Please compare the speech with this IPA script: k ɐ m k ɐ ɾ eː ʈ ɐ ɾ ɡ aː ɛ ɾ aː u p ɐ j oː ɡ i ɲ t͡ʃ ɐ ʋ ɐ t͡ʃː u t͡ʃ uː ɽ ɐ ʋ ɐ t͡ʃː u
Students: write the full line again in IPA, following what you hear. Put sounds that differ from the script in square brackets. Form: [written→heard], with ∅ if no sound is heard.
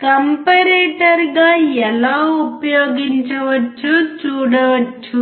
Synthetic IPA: k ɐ m [k→p] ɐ ɾ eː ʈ ɐ ɾ ɡ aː ɛ [ɾ→l] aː u p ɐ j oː ɡ i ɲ t͡ʃ ɐ ʋ ɐ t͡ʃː u t͡ʃ uː ɽ ɐ ʋ ɐ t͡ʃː u